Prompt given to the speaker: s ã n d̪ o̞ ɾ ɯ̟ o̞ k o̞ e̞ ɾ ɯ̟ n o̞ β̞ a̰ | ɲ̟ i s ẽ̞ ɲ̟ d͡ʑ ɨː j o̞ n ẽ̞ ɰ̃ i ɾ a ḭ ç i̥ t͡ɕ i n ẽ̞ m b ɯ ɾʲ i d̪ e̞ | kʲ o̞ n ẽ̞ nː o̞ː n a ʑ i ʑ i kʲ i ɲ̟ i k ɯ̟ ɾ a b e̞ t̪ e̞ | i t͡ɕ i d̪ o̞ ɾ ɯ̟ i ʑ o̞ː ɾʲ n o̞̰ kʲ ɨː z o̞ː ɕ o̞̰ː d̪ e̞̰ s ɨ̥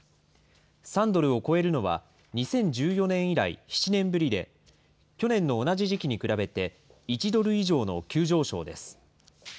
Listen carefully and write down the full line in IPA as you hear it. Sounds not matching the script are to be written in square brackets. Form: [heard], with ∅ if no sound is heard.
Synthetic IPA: s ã n d̪ o̞ ɾ ɯ̟ o̞ k o̞ e̞ ɾ ɯ̟ n o̞ β̞ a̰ | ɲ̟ i s ẽ̞ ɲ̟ d͡ʑ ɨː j o̞ n ẽ̞ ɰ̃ i ɾ a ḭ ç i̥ t͡ɕ i n ẽ̞ m b ɯ ɾʲ i d̪ e̞ | kʲ o̞ n ẽ̞ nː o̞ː n a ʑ i ʑ i kʲ i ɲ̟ i k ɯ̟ ɾ a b e̞ t̪ e̞ | i t͡ɕ i d̪ o̞ ɾ ɯ̟ i ʑ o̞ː [∅] n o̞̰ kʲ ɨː [ʑ] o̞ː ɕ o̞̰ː d̪ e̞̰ s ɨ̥